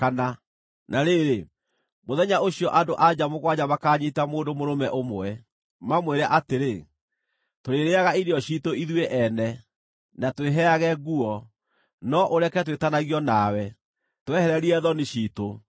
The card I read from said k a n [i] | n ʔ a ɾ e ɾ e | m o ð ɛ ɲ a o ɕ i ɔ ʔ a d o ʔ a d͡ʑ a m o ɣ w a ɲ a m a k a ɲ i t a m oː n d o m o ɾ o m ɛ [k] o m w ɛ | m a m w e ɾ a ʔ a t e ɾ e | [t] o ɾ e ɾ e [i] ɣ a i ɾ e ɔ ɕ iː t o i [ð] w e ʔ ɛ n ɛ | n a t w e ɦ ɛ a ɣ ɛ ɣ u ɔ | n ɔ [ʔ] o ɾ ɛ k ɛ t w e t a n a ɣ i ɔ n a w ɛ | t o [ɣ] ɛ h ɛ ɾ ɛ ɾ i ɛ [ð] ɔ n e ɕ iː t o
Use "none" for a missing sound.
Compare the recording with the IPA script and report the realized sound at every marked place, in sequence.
a, ʔ, t, a, ð, ʔ, w, ð

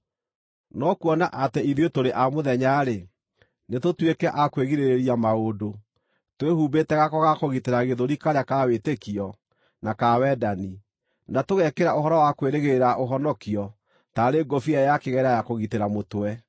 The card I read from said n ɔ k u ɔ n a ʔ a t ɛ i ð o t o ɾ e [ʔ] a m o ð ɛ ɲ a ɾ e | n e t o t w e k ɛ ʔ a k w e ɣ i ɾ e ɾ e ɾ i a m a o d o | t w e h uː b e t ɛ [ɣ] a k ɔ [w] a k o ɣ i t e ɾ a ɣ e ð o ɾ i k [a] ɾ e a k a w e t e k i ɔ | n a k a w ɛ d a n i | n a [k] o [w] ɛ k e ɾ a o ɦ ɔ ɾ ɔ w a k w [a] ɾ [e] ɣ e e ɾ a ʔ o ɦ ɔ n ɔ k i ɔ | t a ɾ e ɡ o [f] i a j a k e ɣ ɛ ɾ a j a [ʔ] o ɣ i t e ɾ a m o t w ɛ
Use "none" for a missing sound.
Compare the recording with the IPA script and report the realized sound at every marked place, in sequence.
ʔ, ɣ, ɣ, a, t, ɣ, e, e, f, k

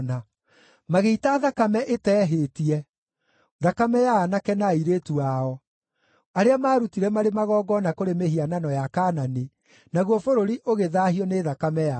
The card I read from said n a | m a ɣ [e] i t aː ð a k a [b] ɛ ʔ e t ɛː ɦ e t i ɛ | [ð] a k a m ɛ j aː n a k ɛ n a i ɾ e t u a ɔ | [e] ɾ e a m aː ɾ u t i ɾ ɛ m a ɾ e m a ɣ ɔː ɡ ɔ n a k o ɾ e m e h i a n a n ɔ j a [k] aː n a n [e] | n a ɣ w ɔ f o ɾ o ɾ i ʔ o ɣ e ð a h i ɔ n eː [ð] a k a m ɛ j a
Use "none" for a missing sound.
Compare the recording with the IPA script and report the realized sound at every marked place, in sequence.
e, m, ð, a, k, e, ð

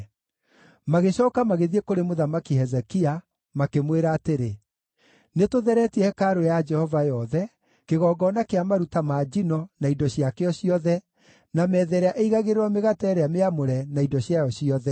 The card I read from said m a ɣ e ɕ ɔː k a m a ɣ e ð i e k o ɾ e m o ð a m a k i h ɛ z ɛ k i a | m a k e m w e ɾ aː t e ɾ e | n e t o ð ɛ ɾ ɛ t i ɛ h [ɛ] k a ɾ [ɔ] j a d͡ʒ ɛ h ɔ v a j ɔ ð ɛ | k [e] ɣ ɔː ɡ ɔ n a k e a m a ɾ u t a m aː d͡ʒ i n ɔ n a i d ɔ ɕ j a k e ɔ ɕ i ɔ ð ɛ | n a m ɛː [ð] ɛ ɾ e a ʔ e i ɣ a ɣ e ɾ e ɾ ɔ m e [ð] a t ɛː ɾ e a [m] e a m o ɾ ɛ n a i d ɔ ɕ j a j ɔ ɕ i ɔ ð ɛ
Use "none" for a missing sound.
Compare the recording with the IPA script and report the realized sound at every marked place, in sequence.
ɛ, o, e, ð, ɣ, m

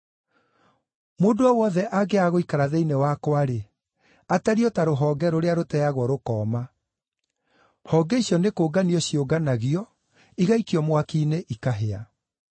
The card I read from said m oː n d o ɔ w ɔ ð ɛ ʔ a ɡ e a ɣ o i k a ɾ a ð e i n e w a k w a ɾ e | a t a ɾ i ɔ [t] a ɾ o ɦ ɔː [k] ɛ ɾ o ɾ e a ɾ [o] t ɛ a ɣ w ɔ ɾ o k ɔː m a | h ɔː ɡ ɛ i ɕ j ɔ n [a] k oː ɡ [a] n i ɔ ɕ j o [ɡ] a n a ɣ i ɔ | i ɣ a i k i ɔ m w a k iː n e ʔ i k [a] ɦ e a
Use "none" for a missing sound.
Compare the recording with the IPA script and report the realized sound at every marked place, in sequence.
t, ɡ, o, e, a, ɡ, a

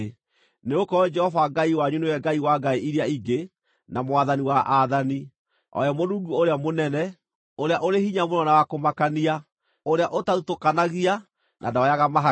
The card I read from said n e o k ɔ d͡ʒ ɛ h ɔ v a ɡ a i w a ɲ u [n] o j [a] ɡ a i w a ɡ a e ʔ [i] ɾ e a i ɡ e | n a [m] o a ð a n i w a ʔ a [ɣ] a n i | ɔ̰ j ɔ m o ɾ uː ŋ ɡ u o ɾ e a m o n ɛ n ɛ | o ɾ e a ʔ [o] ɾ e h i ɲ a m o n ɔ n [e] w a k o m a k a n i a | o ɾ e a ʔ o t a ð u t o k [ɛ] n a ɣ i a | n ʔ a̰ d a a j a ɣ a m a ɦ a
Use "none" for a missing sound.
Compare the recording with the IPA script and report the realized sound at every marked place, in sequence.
n, ɛ, i, m, ð, o, a, a

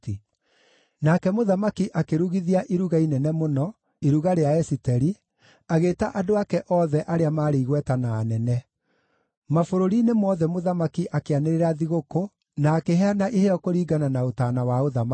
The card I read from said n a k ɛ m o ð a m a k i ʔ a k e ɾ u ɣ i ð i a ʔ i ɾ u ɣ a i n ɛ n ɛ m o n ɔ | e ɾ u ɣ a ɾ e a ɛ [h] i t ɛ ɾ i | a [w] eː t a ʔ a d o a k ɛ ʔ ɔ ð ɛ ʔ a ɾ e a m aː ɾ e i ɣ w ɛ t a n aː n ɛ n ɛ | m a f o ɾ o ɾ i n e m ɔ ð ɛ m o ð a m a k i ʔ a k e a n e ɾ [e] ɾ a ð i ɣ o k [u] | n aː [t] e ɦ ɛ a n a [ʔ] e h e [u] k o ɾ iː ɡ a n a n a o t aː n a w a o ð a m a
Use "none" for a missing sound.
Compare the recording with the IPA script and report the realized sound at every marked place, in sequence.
s, ɣ, e, o, k, ʔ, ɔ

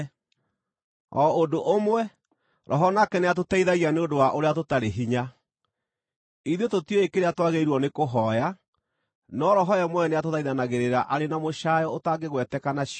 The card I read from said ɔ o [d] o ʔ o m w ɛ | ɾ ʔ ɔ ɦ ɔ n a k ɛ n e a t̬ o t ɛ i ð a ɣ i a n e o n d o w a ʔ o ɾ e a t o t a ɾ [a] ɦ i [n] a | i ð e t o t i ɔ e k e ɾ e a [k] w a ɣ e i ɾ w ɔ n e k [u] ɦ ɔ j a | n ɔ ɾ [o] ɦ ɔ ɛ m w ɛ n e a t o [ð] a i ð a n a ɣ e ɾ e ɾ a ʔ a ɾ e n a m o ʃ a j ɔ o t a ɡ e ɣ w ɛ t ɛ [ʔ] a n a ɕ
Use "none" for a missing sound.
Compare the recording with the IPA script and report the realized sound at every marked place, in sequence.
d, e, ɲ, t, o, ɔ, ð, k

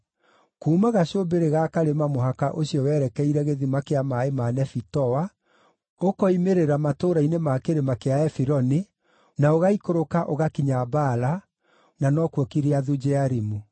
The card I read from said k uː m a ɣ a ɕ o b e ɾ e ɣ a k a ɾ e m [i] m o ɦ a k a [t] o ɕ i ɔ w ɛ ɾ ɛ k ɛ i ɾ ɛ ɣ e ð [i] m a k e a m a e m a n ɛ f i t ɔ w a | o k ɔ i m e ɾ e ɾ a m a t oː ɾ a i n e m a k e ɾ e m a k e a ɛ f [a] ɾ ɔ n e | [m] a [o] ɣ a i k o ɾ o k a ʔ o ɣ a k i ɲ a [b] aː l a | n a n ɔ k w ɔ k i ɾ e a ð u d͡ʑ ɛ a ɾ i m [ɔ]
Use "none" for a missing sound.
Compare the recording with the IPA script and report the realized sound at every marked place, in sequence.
a, ʔ, i, i, n, o, b, u

